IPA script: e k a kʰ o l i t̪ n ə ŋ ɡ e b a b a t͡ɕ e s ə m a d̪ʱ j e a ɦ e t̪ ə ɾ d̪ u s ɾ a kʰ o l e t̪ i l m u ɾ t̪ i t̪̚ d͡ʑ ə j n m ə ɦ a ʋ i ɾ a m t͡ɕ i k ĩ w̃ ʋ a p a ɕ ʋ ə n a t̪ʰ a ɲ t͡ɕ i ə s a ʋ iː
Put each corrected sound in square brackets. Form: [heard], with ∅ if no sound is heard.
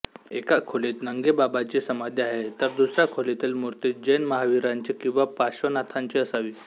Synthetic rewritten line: e k a kʰ o l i t̪ n ə ŋ ɡ e b a b a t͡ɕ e s ə m a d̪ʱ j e a ɦ e t̪ ə ɾ d̪ u s ɾ a kʰ o l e t̪ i l m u ɾ t̪ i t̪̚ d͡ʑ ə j n m ə ɦ a ʋ i ɾ a [ɲ] t͡ɕ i k ĩ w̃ ʋ a p a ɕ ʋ ə n a t̪ʰ a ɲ t͡ɕ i ə s a ʋ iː

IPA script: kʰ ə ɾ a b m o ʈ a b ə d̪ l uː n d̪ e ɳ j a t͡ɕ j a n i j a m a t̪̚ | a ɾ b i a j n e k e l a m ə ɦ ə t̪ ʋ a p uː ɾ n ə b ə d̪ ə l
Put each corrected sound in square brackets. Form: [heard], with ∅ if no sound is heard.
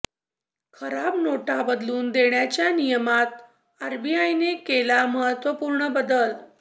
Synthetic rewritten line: kʰ ə ɾ a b [n] o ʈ a b ə d̪ l uː n d̪ e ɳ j a t͡ɕ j a n i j [ə] m a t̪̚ | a ɾ b i a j n e k e l a m ə ɦ ə t̪ ʋ [ə] p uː ɾ [ɳ] ə b ə d̪ ə l

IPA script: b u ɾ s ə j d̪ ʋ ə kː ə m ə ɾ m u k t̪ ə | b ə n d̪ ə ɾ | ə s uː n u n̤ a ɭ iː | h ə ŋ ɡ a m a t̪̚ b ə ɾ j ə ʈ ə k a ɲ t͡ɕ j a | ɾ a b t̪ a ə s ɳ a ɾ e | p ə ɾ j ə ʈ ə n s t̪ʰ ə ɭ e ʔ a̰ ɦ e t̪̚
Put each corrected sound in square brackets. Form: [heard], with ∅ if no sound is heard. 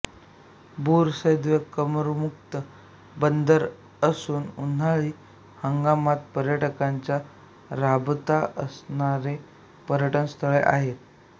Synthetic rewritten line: b u ɾ s ə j d̪ ʋ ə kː ə m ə ɾ m u k t̪ ə | b ə n d̪ ə ɾ | ə s uː n u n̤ a ɭ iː | h ə ŋ ɡ a m a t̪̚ [p] ə ɾ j ə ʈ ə k a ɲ t͡ɕ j a | ɾ a b t̪ a ə s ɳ a ɾ e | p ə ɾ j ə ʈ ə n s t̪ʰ ə ɭ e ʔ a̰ ɦ e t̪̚

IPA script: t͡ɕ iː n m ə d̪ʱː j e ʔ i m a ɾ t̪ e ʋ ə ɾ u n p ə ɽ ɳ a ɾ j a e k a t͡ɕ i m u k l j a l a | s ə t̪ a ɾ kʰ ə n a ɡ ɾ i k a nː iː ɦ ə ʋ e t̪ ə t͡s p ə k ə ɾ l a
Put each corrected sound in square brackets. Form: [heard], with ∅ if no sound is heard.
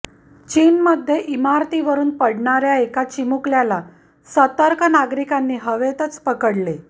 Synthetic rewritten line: t͡ɕ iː n m ə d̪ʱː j e ʔ i m a ɾ t̪ [i] ʋ ə ɾ [uː] n p ə ɽ ɳ a ɾ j a e k a t͡ɕ i m u k l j a l a | s ə t̪ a ɾ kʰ ə n a ɡ ɾ i k a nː iː ɦ ə ʋ e t̪ ə t͡s p ə k ə [ɽ] l [e]

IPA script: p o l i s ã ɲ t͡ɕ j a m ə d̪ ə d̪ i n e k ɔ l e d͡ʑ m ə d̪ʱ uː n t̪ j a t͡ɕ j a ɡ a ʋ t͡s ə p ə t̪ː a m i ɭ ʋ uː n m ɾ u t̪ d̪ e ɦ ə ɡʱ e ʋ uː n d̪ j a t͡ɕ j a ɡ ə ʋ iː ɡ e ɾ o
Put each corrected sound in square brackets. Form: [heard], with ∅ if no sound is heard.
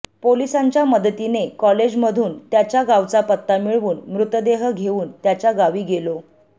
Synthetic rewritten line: p o l i s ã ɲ t͡ɕ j a m ə d̪ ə [t̪] i n e k ɔ l e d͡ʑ m ə d̪ʱ uː n t̪ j a t͡ɕ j a ɡ a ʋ t͡s [a] p ə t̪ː a m i ɭ ʋ uː n m ɾ u t̪ d̪ e ɦ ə ɡʱ e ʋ uː n [t̪] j a t͡ɕ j a ɡ [a] ʋ iː ɡ e [l] o

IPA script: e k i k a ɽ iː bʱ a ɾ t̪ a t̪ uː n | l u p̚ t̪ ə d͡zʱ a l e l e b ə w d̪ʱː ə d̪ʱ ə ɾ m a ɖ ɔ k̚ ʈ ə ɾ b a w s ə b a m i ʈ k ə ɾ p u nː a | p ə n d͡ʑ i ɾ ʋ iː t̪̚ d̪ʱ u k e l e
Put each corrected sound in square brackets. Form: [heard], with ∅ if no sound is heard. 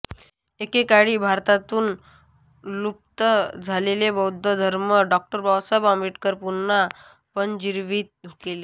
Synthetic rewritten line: e k [e] k a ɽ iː bʱ a ɾ t̪ a t̪ uː n | l u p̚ t̪ ə d͡zʱ a l e l e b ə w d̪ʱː ə d̪ʱ ə ɾ m [ə] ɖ ɔ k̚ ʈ ə ɾ b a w s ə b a m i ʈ k ə ɾ p u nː a | p ə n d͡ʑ i ɾ ʋ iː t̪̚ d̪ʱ u k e l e

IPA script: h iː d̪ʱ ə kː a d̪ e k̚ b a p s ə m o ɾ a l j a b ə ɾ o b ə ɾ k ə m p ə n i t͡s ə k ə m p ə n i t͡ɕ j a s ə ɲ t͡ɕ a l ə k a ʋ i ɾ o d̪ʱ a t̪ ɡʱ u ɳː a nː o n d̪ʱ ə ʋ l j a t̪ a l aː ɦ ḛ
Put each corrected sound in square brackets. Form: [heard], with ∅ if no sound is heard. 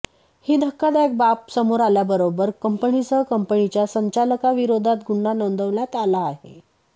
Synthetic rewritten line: h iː d̪ʱ ə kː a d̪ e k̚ b a p s ə m o ɾ a l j a b ə ɾ o b ə ɾ k ə m p ə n i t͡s ə k ə m p ə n i t͡ɕ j a s ə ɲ t͡ɕ a l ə k a ʋ i ɾ o d̪ʱ a t̪ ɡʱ u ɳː a [n] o n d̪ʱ ə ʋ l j a t̪ a l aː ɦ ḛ

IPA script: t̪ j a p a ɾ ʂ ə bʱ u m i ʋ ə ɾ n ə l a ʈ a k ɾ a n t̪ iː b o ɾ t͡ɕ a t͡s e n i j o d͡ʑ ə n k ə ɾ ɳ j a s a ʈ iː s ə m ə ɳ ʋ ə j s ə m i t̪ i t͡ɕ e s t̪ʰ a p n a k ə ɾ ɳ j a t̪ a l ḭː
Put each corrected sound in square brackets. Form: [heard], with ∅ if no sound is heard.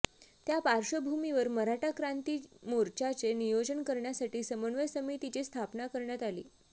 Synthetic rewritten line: t̪ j a p a ɾ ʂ ə bʱ u m i ʋ ə ɾ [m] ə [ɾ] a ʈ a k ɾ a n t̪ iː [m] o ɾ t͡ɕ a t͡s e n i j o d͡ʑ ə n k ə ɾ ɳ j a s a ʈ iː s ə m ə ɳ ʋ ə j s ə m i t̪ i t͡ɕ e s t̪ʰ a p n a k ə ɾ ɳ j a t̪ a l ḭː

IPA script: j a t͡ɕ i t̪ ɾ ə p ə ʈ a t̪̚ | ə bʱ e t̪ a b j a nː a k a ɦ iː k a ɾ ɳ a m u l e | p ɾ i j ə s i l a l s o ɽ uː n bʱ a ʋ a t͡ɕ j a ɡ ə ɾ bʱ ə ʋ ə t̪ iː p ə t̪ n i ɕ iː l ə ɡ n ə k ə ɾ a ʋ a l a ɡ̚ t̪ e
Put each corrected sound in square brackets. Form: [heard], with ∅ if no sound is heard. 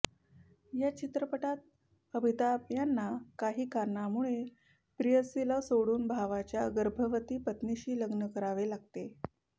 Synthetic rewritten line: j a t͡ɕ i t̪ ɾ ə p ə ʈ a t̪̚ | ə bʱ [i] t̪ a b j a nː a k a ɦ iː k a ɾ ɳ a m u [ɭ] e | p ɾ i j ə s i l a [∅] s o ɽ uː n bʱ a ʋ a t͡ɕ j a ɡ ə ɾ bʱ ə ʋ ə t̪ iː p ə t̪ n i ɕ iː l ə ɡ n ə k ə ɾ a ʋ [e] l a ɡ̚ t̪ e

